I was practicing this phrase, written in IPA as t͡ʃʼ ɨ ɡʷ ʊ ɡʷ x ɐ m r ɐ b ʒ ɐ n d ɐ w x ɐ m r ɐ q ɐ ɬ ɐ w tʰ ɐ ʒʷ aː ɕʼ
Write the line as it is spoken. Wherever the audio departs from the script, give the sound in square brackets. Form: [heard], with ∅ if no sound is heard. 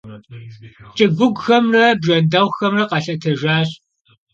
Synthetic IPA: t͡ʃʼ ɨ ɡʷ ʊ ɡʷ x ɐ m r ɐ b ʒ ɐ n d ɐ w x ɐ m r ɐ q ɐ ɬ ɐ [∅] tʰ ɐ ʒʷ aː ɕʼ